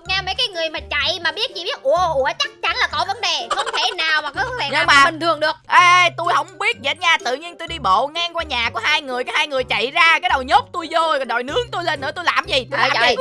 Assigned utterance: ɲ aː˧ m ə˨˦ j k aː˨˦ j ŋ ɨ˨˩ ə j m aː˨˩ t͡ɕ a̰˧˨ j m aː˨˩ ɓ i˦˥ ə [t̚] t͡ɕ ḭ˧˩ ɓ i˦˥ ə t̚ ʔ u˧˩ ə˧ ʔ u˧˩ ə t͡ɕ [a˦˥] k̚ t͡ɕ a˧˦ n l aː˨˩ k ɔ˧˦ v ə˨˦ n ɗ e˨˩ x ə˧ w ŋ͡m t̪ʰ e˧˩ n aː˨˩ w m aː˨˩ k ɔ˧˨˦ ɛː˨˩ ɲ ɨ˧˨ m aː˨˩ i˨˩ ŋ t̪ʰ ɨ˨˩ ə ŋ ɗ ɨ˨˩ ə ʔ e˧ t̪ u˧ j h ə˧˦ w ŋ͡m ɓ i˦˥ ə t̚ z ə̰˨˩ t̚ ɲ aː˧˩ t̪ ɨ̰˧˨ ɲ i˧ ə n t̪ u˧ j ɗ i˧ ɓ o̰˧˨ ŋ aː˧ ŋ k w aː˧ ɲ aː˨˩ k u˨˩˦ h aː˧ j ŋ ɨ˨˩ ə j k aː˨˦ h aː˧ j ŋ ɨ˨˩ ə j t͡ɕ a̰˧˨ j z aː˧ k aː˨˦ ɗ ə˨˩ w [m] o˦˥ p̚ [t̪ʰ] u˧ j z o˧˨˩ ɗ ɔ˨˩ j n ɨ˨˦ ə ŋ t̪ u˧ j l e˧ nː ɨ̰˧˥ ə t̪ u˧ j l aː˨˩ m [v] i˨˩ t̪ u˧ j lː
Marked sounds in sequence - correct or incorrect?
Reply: correct, correct, incorrect: ɲ, incorrect: t̪, incorrect: z

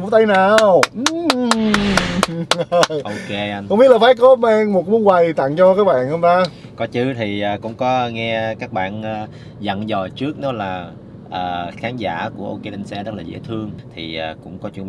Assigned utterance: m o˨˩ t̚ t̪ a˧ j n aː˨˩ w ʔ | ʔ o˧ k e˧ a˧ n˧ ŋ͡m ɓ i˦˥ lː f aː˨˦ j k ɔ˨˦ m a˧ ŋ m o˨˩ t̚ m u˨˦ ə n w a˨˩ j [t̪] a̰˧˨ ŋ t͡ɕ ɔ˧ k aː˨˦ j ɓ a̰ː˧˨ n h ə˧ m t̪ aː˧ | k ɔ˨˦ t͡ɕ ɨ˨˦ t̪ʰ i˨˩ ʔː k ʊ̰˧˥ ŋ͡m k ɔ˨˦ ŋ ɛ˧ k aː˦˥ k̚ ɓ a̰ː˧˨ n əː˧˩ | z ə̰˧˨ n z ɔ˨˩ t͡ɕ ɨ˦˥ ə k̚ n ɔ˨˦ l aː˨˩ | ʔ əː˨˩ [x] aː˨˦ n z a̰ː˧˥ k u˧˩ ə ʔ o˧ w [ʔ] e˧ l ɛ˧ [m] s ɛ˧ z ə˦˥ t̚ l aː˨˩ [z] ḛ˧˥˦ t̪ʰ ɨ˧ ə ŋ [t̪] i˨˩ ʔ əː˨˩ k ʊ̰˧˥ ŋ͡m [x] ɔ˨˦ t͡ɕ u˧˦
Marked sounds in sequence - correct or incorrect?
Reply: correct, correct, incorrect: k, incorrect: n, correct, incorrect: t̪ʰ, incorrect: k

